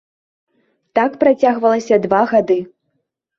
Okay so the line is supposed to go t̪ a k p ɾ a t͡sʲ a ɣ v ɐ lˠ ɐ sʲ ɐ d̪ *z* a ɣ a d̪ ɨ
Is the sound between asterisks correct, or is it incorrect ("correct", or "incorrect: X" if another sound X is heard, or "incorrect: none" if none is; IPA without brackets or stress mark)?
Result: incorrect: v